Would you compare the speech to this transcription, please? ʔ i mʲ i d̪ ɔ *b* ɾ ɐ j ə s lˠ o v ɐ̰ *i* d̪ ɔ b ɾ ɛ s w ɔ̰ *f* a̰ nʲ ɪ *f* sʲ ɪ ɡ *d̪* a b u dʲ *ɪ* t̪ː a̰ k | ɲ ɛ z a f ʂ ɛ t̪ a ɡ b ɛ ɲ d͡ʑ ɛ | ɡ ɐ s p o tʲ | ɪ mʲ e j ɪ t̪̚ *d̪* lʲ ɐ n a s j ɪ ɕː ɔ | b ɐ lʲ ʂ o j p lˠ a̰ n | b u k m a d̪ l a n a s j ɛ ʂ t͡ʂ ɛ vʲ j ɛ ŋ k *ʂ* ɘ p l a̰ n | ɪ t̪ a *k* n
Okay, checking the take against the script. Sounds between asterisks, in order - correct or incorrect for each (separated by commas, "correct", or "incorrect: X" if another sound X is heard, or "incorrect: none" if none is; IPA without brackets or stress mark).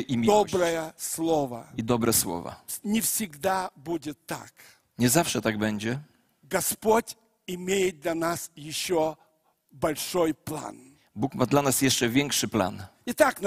correct, correct, incorrect: v, correct, correct, correct, correct, correct, correct